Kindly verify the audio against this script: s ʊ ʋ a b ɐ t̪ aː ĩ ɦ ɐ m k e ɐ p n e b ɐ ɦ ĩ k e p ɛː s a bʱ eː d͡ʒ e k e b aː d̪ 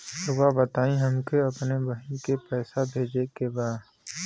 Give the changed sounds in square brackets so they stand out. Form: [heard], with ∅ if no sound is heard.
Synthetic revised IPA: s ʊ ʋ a b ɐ t̪ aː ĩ ɦ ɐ m k e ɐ p n e b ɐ ɦ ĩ k e p ɛː s a bʱ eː d͡ʒ e k e b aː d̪